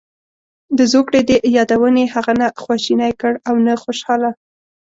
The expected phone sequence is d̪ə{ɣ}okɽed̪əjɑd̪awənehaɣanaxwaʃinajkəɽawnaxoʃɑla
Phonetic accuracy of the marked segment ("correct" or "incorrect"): incorrect